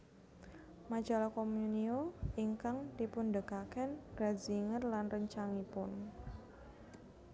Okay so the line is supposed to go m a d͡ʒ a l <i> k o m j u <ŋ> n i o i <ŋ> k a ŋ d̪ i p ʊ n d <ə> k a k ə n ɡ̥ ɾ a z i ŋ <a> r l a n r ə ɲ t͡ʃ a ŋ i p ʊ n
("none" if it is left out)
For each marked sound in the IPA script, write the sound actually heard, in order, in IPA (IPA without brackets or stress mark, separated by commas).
a, none, ŋ, ə, ə